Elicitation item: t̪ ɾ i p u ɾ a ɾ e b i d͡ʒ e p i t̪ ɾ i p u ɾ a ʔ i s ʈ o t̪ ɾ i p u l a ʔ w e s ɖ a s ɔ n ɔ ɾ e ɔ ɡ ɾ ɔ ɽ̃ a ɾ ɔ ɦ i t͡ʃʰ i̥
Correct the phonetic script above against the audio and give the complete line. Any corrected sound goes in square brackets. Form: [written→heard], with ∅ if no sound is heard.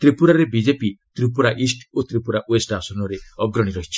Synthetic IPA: t̪ ɾ i p u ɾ a ɾ e b i d͡ʒ e p i t̪ ɾ i p u ɾ a ʔ i s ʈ o t̪ ɾ i p u [l→ɾ] a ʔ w e s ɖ a s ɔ n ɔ ɾ e ɔ ɡ ɾ ɔ ɽ̃ [a→i] ɾ ɔ ɦ i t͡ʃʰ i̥